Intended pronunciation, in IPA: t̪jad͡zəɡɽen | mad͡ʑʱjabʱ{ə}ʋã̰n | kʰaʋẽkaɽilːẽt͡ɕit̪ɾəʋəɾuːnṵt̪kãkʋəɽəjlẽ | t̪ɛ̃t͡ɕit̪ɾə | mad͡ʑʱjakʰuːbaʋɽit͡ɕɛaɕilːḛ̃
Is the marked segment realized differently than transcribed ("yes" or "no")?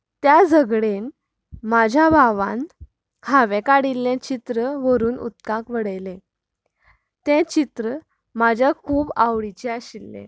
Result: yes